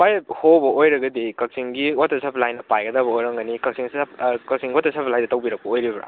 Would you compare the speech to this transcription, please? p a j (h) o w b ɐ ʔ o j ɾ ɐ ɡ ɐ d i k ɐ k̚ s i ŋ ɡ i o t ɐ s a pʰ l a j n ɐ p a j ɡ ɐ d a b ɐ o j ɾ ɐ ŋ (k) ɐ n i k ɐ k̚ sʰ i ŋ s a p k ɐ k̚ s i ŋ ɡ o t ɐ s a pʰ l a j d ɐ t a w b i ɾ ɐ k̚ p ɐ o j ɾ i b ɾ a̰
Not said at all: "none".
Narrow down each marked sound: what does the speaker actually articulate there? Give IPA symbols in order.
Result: h, ɡ

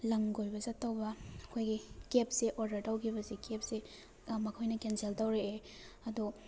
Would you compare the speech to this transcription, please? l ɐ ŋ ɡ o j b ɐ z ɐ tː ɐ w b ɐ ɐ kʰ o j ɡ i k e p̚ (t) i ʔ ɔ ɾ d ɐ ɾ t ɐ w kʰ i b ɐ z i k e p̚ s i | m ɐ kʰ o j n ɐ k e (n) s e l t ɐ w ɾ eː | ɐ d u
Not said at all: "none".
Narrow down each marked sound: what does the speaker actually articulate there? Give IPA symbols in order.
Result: s, n

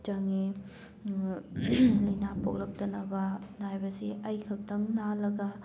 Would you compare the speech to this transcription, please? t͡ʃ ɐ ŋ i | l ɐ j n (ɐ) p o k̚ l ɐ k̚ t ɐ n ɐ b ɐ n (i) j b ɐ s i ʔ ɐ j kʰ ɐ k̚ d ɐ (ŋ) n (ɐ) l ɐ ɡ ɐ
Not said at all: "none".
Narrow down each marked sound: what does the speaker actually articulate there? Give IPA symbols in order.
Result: a, a, ŋ, a

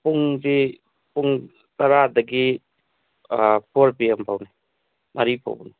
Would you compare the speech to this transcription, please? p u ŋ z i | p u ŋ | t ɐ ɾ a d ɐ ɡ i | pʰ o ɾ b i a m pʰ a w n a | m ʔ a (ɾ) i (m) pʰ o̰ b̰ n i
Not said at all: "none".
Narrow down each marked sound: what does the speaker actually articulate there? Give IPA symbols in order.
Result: ɾ, none

